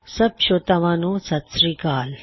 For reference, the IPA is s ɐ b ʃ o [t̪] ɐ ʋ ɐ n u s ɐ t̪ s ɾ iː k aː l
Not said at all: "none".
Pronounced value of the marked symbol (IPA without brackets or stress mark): t̪